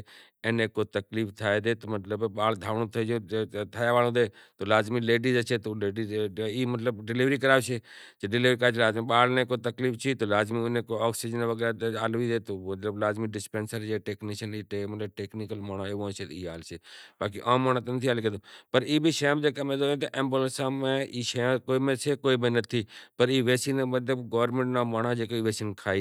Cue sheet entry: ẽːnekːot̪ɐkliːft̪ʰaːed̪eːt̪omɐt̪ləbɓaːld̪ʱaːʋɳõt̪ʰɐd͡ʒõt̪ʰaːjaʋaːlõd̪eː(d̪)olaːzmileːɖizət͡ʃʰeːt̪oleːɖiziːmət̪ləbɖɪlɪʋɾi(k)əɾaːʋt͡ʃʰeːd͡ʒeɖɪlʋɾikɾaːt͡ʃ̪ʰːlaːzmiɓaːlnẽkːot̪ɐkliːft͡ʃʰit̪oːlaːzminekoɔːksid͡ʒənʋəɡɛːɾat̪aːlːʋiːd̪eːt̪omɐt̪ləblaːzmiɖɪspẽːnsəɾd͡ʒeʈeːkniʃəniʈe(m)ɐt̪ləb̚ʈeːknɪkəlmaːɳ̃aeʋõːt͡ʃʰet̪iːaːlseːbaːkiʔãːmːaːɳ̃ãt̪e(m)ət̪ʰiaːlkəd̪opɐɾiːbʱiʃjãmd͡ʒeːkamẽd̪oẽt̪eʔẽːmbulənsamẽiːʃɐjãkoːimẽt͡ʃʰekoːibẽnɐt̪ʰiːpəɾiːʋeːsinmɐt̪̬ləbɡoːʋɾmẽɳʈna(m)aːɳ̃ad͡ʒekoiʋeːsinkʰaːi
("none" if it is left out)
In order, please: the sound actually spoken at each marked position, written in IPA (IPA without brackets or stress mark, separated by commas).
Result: t̪, k, m, n, m